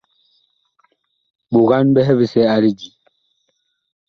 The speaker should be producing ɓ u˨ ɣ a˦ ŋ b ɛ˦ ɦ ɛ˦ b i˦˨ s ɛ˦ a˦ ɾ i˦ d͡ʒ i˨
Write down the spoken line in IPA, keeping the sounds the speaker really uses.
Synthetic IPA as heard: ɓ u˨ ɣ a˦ n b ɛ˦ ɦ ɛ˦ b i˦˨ s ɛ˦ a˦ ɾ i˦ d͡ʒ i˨